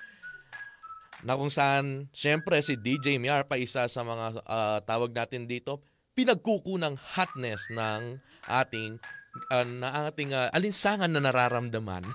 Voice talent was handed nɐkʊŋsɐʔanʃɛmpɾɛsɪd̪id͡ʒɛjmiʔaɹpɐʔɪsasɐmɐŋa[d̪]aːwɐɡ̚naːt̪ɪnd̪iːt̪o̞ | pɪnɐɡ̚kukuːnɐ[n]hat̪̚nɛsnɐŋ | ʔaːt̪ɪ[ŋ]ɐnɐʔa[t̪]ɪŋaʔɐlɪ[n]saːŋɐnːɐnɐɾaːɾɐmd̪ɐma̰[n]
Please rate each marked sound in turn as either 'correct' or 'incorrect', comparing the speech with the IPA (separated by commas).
incorrect, incorrect, correct, correct, correct, correct